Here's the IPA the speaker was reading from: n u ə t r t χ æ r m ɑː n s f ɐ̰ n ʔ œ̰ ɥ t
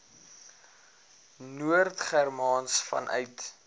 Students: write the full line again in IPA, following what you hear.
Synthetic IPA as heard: n u ə r t χ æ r m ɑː n s f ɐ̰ n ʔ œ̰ ɥ t